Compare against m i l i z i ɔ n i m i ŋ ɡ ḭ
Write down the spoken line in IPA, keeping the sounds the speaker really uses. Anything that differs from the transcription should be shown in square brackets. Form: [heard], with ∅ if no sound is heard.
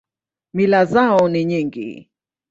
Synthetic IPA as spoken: m i l [a] z [a] ɔ n i [ɲ] i ŋ ɡ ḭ